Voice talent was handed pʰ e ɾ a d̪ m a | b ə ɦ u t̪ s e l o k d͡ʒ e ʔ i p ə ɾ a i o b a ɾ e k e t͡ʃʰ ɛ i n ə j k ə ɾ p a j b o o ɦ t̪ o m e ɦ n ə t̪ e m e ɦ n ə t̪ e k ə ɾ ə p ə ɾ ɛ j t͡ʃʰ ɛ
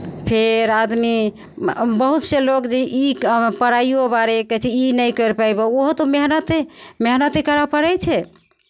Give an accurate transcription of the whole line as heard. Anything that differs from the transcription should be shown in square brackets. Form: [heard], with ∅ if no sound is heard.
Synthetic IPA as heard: pʰ e ɾ a d̪ m [i] | b ə ɦ u t̪ s e l o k d͡ʒ e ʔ i p ə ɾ a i o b a ɾ e k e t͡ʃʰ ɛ i n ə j k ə ɾ p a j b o o ɦ t̪ o m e ɦ n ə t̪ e m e ɦ n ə t̪ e k ə ɾ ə p ə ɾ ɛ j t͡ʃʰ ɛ

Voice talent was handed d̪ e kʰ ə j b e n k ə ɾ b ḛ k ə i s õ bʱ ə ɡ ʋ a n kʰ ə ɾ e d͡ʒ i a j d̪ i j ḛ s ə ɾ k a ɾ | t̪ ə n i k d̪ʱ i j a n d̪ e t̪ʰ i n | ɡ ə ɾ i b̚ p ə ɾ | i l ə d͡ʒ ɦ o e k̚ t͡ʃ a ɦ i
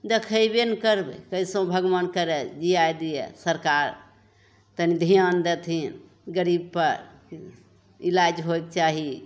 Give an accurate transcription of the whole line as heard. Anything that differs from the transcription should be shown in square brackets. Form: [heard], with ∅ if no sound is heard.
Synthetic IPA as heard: d̪ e kʰ ə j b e n k ə ɾ b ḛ k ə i s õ bʱ ə ɡ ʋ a n [k] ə ɾ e d͡ʒ i a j d̪ i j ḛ s ə ɾ k a ɾ | t̪ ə n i [∅] d̪ʱ i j a n d̪ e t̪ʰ i n | ɡ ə ɾ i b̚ p ə ɾ | i l [a] d͡ʒ ɦ o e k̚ t͡ʃ a ɦ i

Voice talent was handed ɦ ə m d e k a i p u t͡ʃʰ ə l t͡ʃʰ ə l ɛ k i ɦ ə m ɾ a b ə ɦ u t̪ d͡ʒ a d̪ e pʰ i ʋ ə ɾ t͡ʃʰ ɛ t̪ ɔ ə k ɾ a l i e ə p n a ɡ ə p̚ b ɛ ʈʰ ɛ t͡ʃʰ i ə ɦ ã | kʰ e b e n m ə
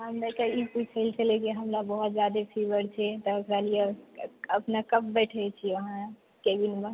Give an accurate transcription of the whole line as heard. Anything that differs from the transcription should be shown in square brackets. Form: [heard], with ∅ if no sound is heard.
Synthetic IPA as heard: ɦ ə m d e k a i p u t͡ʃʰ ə l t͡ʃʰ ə l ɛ k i ɦ ə m ɾ a b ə ɦ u t̪ d͡ʒ a d̪ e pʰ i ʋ ə ɾ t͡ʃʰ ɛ t̪ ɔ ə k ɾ a l i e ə p n a [k] ə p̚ b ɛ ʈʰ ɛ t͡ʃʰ i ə ɦ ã | [k] e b [i] n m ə

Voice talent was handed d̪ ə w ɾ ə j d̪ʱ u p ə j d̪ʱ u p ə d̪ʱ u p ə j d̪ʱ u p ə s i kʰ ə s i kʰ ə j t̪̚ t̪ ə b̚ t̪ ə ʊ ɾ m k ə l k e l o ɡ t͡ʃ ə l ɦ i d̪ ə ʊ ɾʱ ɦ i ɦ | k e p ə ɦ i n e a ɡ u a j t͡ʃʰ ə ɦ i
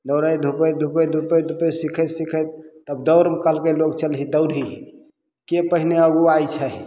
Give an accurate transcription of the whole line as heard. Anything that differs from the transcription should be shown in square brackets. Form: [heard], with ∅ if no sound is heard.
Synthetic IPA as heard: d̪ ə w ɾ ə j d̪ʱ u p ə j d̪ʱ u p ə d̪ʱ u p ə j d̪ʱ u p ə s i kʰ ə s i kʰ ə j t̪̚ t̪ ə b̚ [d̪] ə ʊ ɾ m k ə l k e l o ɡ t͡ʃ ə l ɦ i d̪ ə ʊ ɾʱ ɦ i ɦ | k e p ə ɦ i n e [ə] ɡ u a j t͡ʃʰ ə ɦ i

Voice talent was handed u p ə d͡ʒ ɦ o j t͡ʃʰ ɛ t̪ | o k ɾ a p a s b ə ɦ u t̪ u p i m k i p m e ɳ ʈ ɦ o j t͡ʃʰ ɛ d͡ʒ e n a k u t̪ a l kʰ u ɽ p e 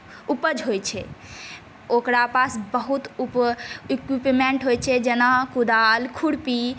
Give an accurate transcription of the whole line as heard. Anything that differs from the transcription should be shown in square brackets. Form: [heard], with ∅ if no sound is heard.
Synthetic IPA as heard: u p ə d͡ʒ ɦ o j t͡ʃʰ ɛ [∅] | o k ɾ a p a s b ə ɦ u t̪ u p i [∅] k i p m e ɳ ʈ ɦ o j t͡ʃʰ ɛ d͡ʒ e n a k u [d̪] a l kʰ u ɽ p [i]

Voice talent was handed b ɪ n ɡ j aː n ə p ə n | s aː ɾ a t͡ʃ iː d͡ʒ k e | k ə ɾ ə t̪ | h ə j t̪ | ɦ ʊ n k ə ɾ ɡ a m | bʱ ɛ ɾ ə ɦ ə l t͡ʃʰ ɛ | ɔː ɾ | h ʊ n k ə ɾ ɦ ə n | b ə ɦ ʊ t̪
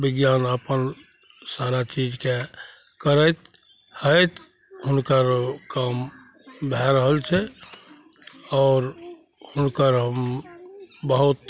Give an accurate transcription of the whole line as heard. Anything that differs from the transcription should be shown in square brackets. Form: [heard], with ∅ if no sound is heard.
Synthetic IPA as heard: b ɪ [∅] ɡ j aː n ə p ə n | s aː ɾ a t͡ʃ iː d͡ʒ k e | k ə ɾ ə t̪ | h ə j t̪ | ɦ ʊ n k ə ɾ [k] a m | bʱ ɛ ɾ ə ɦ ə l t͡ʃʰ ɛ | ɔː ɾ | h ʊ n k ə ɾ ɦ ə [m] | b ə ɦ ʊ t̪

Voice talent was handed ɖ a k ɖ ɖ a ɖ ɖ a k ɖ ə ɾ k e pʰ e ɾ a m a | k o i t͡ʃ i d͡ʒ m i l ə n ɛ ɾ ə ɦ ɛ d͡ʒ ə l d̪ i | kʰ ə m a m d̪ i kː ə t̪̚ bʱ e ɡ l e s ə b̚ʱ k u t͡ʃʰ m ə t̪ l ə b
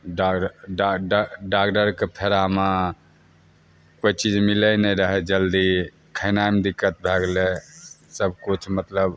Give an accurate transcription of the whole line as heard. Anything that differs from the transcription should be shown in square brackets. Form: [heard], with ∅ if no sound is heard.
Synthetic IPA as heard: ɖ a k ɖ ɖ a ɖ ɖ a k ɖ ə ɾ k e pʰ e ɾ a m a | k o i t͡ʃ i d͡ʒ m i l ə n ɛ ɾ ə ɦ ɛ d͡ʒ ə l d̪ i | kʰ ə [n] a m d̪ i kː ə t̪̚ bʱ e ɡ l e s ə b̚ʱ k u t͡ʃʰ m ə t̪ l ə b

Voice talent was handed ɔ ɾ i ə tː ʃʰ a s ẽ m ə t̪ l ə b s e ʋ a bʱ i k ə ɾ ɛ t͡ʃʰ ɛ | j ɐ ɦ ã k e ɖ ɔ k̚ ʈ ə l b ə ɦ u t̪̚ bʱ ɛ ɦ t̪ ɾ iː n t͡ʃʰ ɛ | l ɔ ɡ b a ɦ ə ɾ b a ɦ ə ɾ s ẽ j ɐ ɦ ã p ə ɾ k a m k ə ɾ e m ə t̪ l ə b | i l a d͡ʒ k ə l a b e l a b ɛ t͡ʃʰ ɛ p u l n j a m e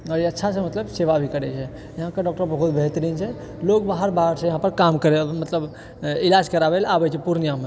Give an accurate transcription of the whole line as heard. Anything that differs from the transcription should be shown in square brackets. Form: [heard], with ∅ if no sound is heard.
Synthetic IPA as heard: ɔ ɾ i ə tː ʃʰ a s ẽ m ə t̪ l ə b s e ʋ a bʱ i k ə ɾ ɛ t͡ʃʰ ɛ | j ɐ ɦ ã k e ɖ ɔ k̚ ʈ ə [ɾ] b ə ɦ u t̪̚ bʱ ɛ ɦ t̪ ɾ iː n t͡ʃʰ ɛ | l [o] ɡ b a ɦ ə ɾ b a ɦ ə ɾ s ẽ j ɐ ɦ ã p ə ɾ k a m k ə ɾ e m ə t̪ l ə b | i l a d͡ʒ k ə [ɾ] a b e l a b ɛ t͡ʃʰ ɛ p u [ɾ] n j a m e

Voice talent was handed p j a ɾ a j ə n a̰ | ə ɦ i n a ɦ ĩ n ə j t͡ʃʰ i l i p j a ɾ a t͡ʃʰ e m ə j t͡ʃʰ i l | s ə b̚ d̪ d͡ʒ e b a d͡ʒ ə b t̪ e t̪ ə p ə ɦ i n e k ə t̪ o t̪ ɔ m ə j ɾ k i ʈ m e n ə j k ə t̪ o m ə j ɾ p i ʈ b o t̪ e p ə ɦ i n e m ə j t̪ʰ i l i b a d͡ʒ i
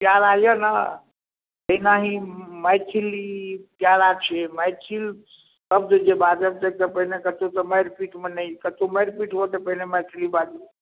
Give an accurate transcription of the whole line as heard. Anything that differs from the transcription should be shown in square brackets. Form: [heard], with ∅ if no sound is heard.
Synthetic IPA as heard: p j a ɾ a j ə n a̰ | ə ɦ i n a ɦ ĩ [m] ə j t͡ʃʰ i l i p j a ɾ a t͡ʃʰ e m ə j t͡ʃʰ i l | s ə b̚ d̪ d͡ʒ e b a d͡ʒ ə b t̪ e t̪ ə p ə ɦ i n e k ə t̪ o t̪ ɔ m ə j ɾ [p] i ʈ m e n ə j k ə t̪ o m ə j ɾ p i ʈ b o t̪ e p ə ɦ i n e m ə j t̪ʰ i l i b a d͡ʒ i

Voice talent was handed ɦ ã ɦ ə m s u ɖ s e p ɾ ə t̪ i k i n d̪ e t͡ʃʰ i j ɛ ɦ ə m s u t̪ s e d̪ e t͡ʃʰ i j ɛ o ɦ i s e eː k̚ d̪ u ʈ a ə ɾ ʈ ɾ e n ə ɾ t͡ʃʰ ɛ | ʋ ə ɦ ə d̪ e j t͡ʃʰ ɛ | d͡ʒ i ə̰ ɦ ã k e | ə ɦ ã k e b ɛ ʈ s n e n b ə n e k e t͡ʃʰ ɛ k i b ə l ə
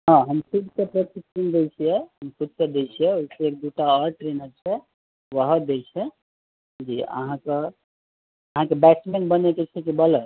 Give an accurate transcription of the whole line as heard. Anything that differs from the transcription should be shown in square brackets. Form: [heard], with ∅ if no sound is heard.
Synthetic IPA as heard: ɦ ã ɦ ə m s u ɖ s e p ɾ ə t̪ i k i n d̪ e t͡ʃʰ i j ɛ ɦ ə m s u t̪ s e d̪ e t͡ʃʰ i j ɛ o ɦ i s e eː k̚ d̪ u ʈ a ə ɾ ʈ ɾ e n ə ɾ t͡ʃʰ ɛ | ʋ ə ɦ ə d̪ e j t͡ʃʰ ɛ | d͡ʒ i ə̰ ɦ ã k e | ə ɦ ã k e b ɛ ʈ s [m] e n b ə n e k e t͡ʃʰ ɛ k i b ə l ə

